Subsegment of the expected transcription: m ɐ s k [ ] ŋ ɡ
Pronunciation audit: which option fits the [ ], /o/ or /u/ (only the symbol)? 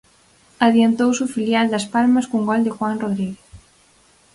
u